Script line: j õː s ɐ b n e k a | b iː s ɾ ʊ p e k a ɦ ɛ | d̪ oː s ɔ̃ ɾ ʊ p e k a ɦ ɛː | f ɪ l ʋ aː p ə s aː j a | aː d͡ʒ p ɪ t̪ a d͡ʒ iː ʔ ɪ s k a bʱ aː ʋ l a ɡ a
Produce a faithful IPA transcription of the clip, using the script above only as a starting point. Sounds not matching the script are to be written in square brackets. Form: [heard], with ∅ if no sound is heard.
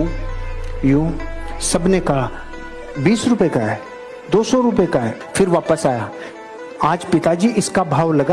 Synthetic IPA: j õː s ɐ b n e k a | b iː s ɾ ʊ p e k a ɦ ɛ | d̪ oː s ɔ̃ ɾ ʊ p e k a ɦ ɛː | f ɪ [ɾ] ʋ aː p ə s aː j a | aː d͡ʒ p ɪ t̪ a d͡ʒ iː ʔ ɪ s k a bʱ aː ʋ l [ɐ] ɡ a